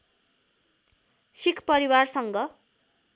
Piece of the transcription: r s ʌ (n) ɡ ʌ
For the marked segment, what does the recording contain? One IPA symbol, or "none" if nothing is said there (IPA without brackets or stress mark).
ŋ